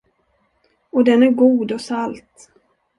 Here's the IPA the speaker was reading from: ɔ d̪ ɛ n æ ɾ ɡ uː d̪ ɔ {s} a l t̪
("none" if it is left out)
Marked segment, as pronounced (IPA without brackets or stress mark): s